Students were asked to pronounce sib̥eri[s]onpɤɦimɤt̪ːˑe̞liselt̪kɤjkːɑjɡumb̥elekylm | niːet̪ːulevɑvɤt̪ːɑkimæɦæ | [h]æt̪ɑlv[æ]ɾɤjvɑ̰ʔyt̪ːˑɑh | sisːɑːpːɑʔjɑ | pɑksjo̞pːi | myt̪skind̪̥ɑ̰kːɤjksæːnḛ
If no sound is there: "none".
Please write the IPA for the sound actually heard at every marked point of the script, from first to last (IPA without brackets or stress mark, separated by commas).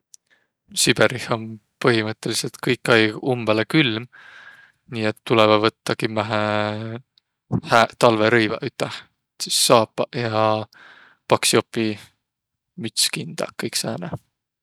h, h, e